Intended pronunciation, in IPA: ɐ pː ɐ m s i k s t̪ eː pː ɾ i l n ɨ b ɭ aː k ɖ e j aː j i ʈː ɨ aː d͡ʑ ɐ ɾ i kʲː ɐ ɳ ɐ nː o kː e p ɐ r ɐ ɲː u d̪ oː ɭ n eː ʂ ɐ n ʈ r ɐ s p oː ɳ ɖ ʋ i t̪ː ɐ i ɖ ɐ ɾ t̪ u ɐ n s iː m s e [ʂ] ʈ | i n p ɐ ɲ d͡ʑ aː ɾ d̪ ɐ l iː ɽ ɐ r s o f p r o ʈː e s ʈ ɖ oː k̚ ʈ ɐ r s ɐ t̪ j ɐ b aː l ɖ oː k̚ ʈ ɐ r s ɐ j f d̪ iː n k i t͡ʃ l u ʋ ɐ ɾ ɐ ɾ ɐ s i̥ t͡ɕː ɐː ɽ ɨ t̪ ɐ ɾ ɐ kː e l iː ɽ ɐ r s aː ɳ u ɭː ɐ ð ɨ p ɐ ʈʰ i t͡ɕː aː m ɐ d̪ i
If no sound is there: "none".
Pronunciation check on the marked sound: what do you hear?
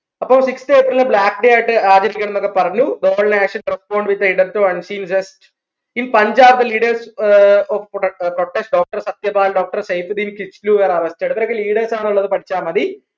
s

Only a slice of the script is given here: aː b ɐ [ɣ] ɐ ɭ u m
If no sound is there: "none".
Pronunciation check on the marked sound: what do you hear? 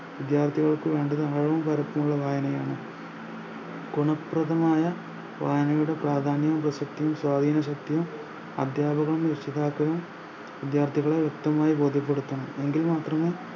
ɣ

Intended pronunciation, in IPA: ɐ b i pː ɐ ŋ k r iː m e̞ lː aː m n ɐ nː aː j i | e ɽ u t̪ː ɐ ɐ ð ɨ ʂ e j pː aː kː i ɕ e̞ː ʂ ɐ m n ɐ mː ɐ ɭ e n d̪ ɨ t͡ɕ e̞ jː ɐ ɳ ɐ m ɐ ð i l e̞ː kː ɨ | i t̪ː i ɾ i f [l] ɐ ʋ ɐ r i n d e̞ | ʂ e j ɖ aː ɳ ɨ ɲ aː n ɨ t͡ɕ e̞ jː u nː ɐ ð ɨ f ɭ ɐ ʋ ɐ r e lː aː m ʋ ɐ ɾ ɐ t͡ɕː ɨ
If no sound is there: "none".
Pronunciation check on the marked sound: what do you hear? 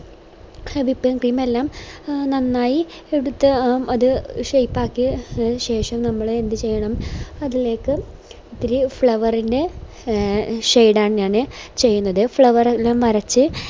ɭ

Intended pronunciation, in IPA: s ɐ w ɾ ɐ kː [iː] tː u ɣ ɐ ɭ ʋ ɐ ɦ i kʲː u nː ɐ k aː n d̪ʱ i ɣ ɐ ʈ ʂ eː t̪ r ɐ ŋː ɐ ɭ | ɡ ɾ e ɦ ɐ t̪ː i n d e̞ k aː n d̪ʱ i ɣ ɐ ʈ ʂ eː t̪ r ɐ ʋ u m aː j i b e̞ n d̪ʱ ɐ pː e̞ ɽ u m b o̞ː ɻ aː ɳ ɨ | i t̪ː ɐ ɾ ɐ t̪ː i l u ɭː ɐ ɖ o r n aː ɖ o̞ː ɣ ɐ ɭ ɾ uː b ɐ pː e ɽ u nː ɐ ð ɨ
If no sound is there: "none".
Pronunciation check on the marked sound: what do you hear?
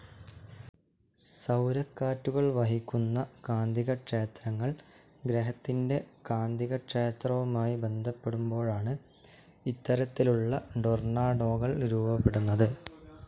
aː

